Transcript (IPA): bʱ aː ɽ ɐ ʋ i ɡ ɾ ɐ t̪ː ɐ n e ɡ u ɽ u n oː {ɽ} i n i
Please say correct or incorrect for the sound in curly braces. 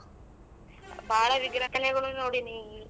correct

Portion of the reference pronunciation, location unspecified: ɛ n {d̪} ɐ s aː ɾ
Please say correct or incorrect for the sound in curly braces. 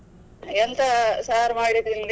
incorrect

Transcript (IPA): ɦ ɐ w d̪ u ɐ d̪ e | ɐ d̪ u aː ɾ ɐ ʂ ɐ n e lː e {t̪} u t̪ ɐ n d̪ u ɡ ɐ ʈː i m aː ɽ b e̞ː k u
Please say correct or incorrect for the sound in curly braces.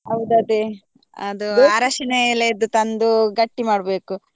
incorrect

